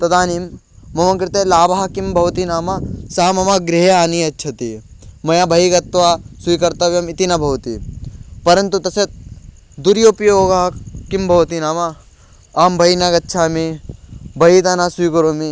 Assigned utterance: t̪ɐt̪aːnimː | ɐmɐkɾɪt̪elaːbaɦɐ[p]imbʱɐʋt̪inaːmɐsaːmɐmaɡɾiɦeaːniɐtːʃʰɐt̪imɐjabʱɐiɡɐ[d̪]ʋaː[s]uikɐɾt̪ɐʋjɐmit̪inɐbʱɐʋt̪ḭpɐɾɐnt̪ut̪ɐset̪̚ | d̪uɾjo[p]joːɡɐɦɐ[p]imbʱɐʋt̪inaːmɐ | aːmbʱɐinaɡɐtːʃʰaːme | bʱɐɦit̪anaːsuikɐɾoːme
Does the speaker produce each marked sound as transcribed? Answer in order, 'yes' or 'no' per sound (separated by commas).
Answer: no, no, yes, yes, no